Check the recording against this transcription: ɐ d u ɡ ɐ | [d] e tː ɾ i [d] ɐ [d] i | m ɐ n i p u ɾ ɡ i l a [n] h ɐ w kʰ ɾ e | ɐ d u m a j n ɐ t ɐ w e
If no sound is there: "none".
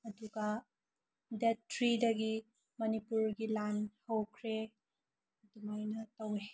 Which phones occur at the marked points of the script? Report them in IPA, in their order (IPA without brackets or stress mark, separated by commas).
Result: d, d, ɡ, n